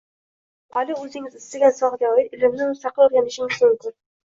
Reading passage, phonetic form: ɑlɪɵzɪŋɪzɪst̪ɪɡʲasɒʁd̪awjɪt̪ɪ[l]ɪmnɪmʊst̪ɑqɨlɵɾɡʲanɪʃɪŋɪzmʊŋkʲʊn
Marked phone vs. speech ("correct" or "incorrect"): correct